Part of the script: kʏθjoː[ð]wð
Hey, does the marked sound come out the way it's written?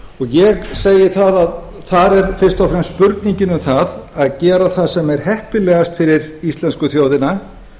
no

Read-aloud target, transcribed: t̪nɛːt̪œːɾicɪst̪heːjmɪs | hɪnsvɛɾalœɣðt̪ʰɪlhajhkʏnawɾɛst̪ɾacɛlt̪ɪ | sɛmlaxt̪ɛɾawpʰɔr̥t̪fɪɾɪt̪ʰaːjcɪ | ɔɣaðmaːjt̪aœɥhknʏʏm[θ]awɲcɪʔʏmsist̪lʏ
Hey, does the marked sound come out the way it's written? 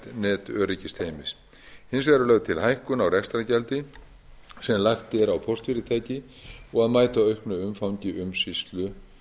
no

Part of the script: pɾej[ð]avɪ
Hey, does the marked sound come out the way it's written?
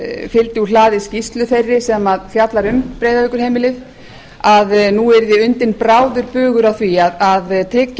yes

